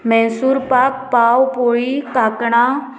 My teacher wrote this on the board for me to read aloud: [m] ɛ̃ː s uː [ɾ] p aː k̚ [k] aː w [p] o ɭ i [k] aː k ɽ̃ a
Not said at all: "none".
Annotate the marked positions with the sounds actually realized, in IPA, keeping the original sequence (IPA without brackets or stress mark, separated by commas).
m, ɾ, p, p, k